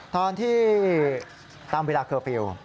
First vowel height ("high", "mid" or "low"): mid